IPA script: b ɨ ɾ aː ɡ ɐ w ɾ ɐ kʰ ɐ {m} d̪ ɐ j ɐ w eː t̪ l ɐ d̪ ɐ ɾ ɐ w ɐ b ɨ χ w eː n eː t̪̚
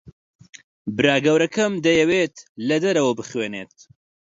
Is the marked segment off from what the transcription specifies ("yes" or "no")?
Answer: no